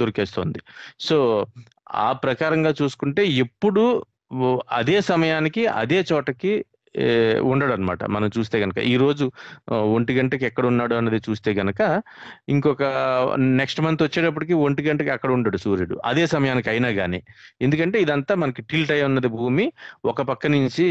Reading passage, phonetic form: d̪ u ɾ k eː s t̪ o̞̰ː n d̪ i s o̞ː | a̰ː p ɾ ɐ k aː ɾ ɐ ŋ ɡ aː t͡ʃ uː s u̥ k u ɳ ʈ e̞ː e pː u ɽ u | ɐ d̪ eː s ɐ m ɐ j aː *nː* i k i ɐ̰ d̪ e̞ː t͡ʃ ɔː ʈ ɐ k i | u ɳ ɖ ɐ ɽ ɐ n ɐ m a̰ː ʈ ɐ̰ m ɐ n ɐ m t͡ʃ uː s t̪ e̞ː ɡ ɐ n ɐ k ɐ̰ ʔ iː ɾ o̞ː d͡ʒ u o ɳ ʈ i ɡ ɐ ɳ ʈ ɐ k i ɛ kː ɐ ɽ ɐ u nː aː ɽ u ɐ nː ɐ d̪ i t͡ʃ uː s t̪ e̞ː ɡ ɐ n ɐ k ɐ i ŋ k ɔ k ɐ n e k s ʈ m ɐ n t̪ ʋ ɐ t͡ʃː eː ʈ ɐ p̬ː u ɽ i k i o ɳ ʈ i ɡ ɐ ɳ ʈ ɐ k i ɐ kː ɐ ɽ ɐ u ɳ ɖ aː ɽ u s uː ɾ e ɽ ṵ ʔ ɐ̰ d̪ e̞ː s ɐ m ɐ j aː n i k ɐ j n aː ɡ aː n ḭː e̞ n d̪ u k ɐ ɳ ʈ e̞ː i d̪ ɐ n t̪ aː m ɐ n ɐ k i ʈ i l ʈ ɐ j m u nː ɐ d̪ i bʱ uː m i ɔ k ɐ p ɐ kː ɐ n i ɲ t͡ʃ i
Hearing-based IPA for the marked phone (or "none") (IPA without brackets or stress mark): n